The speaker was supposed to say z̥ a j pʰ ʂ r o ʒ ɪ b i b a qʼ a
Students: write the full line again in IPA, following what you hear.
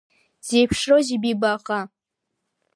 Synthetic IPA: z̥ e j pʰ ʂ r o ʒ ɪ b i b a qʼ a